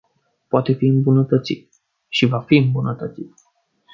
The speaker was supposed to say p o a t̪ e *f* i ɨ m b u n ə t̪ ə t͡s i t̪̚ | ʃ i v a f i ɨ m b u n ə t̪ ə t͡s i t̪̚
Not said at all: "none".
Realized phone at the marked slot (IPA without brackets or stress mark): f